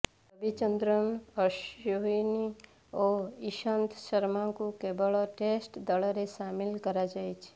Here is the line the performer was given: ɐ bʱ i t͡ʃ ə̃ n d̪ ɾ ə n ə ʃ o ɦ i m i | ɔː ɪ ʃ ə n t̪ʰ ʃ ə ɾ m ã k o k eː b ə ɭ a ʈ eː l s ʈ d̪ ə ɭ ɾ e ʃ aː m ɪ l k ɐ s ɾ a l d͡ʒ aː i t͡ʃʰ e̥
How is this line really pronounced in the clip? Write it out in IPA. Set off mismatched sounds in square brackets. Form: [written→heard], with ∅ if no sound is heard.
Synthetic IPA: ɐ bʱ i t͡ʃ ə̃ n d̪ ɾ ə n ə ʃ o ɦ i [m→n] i | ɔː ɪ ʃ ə n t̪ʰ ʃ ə ɾ m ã k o k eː b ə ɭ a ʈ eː [l→∅] s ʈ d̪ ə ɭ ɾ e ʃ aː m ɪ l k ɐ [s→∅] ɾ a [l→∅] d͡ʒ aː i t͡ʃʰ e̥